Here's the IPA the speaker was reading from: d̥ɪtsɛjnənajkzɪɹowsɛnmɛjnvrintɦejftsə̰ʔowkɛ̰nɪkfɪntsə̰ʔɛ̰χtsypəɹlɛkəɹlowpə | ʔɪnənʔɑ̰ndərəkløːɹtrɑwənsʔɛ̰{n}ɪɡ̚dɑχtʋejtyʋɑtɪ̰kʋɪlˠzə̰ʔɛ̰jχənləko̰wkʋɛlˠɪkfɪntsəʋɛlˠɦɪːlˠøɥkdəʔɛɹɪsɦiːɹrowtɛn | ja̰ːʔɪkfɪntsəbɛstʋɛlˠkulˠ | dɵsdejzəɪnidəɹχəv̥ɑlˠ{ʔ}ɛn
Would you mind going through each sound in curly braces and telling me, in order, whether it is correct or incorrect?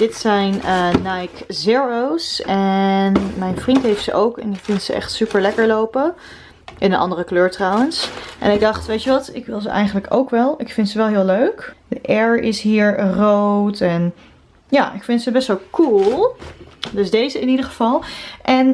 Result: correct, correct

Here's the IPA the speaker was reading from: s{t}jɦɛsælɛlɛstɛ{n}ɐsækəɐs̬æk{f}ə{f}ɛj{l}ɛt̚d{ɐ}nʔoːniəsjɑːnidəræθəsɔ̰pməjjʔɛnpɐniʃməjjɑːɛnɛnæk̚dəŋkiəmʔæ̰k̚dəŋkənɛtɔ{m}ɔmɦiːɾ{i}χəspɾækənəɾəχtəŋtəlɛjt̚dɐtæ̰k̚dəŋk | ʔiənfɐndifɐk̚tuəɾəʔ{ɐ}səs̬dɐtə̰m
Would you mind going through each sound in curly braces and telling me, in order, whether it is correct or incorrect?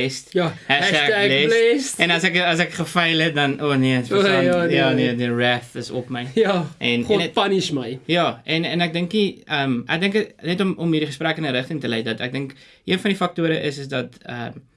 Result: correct, correct, incorrect: χ, correct, correct, correct, correct, correct, incorrect: ə

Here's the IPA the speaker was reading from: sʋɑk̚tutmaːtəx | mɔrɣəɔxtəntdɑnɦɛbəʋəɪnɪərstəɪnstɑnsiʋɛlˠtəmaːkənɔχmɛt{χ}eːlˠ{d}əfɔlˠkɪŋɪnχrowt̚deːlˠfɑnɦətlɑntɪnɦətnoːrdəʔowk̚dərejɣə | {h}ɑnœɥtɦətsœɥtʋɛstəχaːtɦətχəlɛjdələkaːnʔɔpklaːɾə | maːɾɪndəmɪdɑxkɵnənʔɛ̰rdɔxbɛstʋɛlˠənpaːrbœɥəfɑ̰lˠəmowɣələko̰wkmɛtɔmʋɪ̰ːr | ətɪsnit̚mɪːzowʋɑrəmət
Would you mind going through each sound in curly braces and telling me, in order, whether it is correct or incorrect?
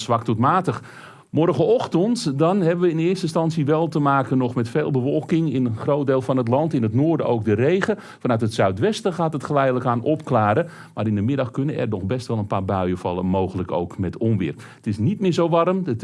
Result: incorrect: f, incorrect: b, incorrect: f

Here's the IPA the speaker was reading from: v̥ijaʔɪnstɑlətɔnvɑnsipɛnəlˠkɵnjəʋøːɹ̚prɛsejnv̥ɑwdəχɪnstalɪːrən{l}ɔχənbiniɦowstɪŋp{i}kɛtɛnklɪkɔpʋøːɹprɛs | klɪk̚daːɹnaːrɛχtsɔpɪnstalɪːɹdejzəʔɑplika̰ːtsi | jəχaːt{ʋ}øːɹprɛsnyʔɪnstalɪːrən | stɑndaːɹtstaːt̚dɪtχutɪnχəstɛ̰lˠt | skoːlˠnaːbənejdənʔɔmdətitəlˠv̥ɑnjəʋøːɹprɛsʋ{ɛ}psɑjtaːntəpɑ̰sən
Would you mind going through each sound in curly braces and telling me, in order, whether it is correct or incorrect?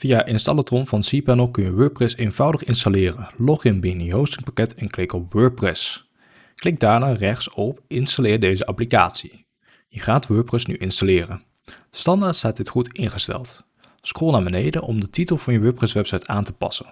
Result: correct, incorrect: a, correct, correct

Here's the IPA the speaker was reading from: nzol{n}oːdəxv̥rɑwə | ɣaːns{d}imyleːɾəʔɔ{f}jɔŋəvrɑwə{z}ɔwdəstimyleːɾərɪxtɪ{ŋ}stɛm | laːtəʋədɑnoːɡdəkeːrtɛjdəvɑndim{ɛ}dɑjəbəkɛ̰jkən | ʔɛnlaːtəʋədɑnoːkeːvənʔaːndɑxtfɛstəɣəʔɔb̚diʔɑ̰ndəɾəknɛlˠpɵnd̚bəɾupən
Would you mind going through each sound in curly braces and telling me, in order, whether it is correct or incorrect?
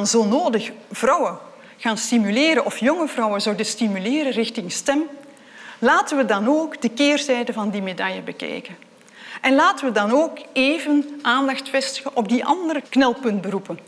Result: correct, incorrect: t, correct, correct, correct, incorrect: e

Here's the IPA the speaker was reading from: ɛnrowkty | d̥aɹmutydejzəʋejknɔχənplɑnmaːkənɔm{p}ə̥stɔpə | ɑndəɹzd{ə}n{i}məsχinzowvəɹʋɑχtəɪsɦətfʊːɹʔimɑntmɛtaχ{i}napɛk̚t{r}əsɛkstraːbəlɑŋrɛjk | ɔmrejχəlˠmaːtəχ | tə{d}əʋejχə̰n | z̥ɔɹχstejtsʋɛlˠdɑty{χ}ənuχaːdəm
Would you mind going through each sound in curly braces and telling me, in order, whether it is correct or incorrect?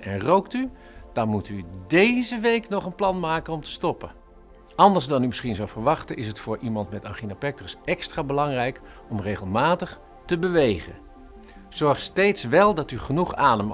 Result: incorrect: t, incorrect: ɑ, incorrect: y, correct, correct, incorrect: b, correct

